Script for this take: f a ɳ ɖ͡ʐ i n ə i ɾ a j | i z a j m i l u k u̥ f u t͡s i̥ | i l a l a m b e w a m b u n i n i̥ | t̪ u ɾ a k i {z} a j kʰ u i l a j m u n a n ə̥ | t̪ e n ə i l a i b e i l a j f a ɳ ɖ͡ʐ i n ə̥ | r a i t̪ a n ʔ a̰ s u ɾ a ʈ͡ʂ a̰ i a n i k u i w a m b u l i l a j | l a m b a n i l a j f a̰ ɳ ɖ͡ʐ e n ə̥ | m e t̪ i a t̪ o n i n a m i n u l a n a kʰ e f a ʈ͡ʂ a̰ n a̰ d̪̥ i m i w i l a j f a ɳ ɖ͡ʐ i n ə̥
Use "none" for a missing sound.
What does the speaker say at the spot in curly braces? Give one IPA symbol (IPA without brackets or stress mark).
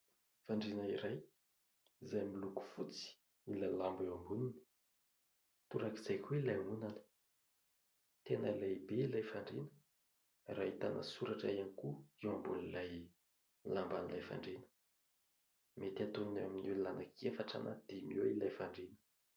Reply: z